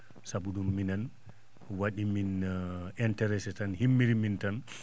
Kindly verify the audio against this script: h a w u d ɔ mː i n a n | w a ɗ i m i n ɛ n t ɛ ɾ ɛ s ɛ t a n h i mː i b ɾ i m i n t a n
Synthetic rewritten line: s a b u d u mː i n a n | w a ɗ i m i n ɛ n t ɛ ɾ ɛ s ɛ t a n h i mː i ɾ i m i n t a n